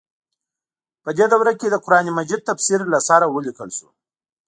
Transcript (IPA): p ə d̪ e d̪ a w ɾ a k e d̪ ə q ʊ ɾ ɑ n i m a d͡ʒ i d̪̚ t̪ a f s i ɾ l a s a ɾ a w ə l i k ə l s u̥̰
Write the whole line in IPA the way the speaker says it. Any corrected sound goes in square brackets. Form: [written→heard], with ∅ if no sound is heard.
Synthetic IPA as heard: p ə d̪ e d̪ a w ɾ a k e d̪ ə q ʊ ɾ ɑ n i m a d͡ʒ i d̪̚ t̪ a f s i ɾ l a s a ɾ a w ə l i k ə l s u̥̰

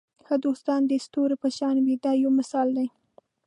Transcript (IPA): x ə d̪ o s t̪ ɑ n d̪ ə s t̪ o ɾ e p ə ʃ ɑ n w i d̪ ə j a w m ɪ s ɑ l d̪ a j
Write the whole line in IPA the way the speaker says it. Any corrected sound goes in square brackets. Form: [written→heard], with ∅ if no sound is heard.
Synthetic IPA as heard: x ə d̪ o s t̪ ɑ n d̪ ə s t̪ o ɾ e p ə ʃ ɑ n w i d̪ [ə→ɑ] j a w m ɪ s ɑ l d̪ a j

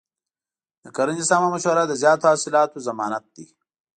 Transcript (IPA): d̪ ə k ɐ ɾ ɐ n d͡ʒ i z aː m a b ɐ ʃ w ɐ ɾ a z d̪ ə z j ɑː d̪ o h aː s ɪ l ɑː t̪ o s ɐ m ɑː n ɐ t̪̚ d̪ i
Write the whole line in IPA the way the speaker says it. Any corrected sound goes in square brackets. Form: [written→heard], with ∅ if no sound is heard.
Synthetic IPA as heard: d̪ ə k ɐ ɾ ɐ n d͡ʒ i [z→s] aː m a [b→m] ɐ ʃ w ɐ ɾ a [z→∅] d̪ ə z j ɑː [d̪→t̪] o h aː s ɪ l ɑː t̪ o [s→z] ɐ m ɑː n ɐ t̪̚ d̪ i

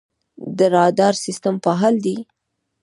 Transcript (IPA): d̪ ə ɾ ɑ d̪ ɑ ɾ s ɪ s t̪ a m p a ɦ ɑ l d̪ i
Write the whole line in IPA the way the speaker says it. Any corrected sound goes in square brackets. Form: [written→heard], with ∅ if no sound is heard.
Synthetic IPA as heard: d̪ ə ɾ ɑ d̪ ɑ ɾ s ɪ s t̪ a m p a ɦ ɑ l d̪ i

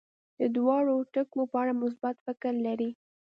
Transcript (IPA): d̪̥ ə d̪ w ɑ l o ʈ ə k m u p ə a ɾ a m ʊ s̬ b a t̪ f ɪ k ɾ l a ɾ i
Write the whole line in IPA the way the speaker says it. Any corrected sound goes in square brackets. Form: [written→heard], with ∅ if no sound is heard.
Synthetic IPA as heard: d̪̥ ə d̪ w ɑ [l→ɽ] o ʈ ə k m [u→o] p ə a [ɾ→ɽ] a m ʊ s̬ b a t̪ f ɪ k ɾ l a ɾ i

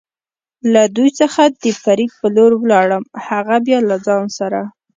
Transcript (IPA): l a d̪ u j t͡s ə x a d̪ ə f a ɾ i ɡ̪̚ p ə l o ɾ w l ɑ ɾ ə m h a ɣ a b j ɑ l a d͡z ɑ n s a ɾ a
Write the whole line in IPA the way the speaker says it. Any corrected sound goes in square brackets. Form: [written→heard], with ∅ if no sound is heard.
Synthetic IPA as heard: l a d̪ u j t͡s ə x a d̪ ə f a ɾ i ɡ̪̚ p ə l o ɾ w l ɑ [ɾ→ɽ] ə m h a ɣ a b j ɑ l a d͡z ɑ n s a ɾ a

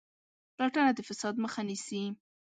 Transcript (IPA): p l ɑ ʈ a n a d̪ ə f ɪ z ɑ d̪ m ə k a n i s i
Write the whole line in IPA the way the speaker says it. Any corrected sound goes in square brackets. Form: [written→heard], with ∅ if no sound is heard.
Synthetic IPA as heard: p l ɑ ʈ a n a d̪ ə f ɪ [z→s] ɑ d̪ m ə [k→x] a n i s i

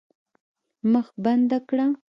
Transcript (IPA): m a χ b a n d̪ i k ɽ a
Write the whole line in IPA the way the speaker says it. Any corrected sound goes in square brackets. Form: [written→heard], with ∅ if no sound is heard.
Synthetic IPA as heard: m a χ b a n d̪ [i→a] k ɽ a

